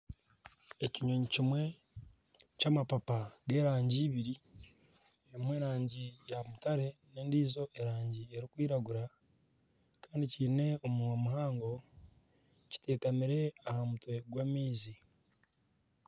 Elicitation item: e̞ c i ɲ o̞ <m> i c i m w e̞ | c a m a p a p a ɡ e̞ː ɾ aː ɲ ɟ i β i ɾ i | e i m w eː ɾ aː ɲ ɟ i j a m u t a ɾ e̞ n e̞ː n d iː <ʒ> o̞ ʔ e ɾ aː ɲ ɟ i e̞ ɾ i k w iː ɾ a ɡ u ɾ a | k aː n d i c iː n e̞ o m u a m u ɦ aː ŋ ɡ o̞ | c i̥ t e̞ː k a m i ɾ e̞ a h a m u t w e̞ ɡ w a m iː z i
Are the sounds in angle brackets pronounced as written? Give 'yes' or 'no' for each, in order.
no, no

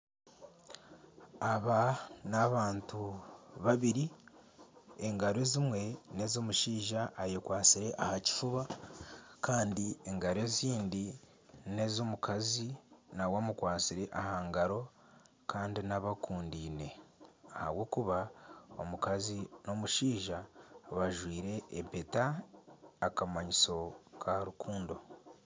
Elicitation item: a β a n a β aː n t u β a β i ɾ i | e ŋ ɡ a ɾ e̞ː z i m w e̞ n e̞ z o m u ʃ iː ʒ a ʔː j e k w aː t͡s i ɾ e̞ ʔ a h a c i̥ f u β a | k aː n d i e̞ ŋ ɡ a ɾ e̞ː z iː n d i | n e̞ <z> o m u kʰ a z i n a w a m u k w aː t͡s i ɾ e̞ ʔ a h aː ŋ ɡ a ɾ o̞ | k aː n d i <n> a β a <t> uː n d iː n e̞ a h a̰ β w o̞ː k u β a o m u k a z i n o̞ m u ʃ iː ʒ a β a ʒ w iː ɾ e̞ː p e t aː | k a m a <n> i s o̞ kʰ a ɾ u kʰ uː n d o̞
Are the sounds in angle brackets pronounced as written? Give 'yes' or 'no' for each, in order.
yes, yes, no, no

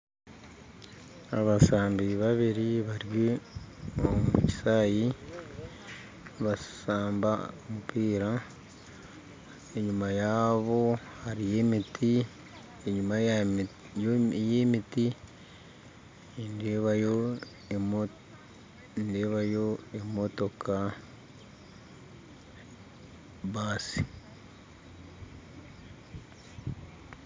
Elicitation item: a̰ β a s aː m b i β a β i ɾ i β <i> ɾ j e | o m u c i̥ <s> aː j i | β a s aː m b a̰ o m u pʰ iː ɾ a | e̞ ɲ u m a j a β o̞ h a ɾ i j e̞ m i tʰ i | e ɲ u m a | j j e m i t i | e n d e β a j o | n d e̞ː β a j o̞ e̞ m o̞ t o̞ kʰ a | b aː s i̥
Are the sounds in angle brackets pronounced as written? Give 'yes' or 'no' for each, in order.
no, yes

